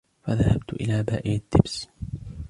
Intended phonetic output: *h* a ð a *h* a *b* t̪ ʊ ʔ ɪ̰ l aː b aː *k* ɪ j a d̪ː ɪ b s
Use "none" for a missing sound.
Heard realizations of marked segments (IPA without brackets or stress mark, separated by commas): f, h, b, ʔ